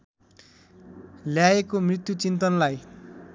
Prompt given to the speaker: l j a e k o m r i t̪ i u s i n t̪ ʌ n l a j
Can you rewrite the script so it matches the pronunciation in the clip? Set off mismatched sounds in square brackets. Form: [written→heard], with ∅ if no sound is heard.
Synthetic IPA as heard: l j a e k o m r i t̪ [i→j] u [s→t͡s] i n t̪ ʌ n l a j